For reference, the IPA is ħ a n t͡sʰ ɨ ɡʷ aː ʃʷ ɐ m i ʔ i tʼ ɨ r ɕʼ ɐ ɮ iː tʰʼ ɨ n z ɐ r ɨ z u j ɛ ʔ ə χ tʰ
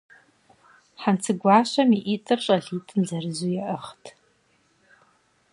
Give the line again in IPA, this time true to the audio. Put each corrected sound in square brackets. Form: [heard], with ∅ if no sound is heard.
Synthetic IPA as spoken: ħ a n t͡sʰ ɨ ɡʷ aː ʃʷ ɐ m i ʔ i tʼ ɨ r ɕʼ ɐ ɮ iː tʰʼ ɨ n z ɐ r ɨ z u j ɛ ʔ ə χ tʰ